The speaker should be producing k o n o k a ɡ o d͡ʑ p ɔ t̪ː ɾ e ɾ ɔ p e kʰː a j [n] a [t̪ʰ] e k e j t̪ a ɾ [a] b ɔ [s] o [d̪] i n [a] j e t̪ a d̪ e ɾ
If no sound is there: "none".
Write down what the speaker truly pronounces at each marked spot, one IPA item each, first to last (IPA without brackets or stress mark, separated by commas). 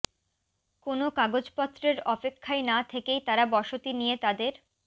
n, t̪ʰ, a, ʃ, t̪, i